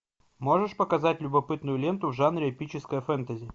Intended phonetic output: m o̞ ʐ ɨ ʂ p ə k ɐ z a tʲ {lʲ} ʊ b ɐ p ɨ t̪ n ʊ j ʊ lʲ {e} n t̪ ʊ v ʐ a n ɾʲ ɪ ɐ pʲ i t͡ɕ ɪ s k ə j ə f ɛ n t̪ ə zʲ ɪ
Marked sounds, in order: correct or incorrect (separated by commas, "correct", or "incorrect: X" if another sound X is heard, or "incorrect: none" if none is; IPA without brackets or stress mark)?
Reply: correct, correct